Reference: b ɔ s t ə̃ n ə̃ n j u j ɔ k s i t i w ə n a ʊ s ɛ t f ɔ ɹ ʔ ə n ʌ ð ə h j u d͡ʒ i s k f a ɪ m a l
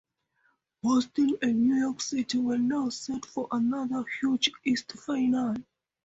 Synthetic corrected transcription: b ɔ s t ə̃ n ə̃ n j u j ɔ k s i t i w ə n a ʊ s ɛ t f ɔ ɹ ʔ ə n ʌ ð ə h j u d͡ʒ i s t f a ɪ n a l